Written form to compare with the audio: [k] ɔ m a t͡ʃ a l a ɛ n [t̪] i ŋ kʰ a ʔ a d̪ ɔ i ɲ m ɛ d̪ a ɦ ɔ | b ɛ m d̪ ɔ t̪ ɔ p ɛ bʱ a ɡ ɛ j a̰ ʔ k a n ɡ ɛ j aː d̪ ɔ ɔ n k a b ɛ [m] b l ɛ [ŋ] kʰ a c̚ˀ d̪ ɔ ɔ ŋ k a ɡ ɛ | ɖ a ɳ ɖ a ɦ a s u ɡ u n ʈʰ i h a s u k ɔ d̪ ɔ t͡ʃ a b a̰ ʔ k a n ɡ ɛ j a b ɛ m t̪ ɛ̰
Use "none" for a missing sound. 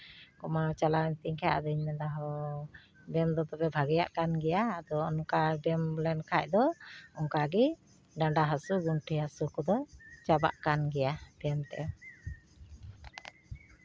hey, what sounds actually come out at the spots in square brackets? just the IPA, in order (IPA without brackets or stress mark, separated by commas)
k, t̪, m, n